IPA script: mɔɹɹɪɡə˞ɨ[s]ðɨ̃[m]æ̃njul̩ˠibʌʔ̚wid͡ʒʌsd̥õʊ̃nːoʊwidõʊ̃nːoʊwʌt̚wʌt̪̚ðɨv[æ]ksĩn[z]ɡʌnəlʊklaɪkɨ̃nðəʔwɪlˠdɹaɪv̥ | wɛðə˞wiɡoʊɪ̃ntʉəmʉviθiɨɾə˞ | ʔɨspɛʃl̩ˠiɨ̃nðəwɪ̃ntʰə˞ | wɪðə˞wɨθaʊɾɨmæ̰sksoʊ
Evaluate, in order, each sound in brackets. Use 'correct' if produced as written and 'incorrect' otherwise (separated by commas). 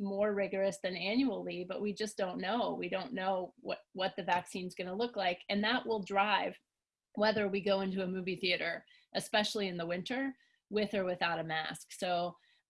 correct, incorrect, correct, correct